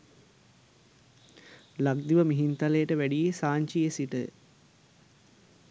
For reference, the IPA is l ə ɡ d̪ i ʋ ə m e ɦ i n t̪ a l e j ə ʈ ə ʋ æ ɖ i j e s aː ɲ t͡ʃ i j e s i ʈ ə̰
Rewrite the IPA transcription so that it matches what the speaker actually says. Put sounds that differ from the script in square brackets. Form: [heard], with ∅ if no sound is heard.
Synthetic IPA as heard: l [a] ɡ d̪ i ʋ ə m [i] ɦ i n t̪ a l e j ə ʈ ə ʋ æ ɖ i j e s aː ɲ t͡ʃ i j e s i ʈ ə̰